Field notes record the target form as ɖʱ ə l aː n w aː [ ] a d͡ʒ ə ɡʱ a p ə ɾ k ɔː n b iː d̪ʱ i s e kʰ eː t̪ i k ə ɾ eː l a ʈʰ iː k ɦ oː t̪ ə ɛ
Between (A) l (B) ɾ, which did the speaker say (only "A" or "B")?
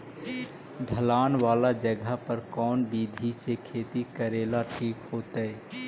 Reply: A